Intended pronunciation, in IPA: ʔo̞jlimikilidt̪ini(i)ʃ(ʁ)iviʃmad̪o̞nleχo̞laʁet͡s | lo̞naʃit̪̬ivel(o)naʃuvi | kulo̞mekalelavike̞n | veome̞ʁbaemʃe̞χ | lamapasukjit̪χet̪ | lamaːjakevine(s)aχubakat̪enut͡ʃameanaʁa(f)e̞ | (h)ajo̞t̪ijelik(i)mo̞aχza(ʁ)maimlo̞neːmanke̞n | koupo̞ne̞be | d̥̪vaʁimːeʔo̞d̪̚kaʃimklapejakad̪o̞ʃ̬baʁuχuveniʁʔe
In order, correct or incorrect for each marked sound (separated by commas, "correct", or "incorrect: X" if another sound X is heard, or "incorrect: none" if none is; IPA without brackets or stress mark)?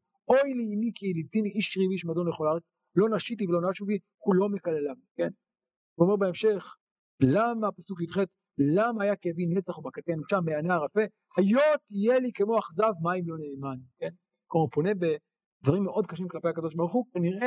correct, correct, correct, incorrect: t͡s, correct, correct, incorrect: e, incorrect: v